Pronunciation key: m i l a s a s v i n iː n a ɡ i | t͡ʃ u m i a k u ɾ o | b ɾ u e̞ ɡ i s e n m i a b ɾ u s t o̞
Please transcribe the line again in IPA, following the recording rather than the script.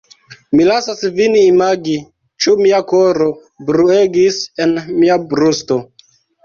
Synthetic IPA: m i l a s a s v i n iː m a ɡ i | t͡ʃ u m i a k o ɾ o | b ɾ u e̞ ɡ i s e n m i a b ɾ u s t o̞